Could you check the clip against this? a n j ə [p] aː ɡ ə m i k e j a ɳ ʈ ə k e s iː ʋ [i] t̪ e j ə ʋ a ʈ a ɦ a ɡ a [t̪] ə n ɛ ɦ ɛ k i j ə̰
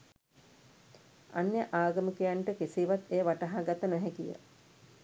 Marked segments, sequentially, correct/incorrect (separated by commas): incorrect, incorrect, correct